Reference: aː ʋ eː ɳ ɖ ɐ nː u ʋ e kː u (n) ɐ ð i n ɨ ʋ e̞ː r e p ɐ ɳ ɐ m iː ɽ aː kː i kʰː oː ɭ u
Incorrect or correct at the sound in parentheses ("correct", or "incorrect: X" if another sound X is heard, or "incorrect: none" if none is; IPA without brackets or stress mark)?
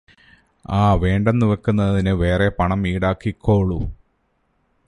incorrect: nː